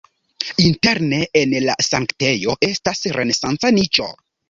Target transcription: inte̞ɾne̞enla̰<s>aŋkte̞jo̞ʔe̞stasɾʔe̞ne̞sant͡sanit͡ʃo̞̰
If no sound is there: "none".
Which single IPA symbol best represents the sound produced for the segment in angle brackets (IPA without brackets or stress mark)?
s